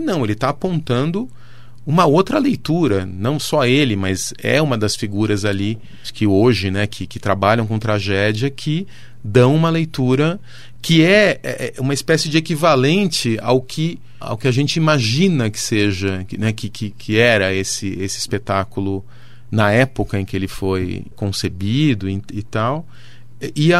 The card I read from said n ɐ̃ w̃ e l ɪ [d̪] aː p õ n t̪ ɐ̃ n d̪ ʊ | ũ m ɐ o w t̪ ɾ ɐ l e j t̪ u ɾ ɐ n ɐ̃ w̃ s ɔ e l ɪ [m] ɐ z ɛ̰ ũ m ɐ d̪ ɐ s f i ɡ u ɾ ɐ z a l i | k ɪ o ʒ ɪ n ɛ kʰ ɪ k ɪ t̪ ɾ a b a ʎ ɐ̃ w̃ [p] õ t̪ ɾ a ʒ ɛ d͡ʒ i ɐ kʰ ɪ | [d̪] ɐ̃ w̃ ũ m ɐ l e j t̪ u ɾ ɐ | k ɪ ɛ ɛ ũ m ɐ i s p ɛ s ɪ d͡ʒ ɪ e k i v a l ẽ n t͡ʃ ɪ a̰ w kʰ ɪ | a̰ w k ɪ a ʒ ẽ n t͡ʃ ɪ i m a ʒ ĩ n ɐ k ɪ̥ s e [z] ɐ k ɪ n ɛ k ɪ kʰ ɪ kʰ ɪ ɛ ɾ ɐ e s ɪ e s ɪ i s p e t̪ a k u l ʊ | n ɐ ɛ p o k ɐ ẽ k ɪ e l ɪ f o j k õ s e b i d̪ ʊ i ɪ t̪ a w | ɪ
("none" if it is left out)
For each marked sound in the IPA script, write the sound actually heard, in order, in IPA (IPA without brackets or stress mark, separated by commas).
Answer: t̪, m, k, d̪, ʒ